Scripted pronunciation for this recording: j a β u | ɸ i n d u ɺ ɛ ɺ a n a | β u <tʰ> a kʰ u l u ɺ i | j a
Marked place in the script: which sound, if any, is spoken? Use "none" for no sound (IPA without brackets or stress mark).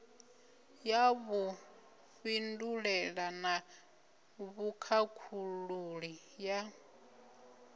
kʰ